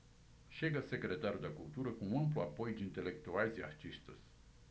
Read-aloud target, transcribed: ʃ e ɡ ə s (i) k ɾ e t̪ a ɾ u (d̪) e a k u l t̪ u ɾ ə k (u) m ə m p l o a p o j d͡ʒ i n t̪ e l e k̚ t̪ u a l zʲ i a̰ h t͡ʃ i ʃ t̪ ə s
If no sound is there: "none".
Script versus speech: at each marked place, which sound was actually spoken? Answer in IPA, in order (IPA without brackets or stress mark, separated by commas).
e, d̪, u